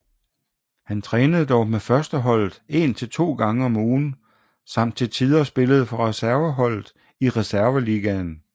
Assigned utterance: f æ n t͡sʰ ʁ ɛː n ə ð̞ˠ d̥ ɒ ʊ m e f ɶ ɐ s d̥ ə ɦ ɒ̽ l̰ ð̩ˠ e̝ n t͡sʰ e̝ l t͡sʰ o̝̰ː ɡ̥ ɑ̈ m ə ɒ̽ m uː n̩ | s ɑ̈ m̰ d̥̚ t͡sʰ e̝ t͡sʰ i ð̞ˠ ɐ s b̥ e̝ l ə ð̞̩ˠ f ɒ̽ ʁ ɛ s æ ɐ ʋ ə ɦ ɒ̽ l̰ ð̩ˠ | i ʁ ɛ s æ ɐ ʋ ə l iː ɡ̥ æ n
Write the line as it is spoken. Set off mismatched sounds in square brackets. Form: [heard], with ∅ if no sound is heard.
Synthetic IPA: [h] æ n t͡sʰ ʁ ɛː n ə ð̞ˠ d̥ ɒ ʊ m e f ɶ ɐ s d̥ ə ɦ ɒ̽ l̰ ð̩ˠ e̝ n t͡sʰ e̝ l t͡sʰ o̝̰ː ɡ̥ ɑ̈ [ŋ] ə ɒ̽ m uː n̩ | s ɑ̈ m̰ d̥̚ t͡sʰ e̝ t͡sʰ i ð̞ˠ ɐ s b̥ e̝ l ə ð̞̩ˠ f ɒ̽ ʁ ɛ s æ ɐ ʋ ə ɦ ɒ̽ l̰ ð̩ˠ | i ʁ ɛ s æ ɐ ʋ ə l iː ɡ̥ æ n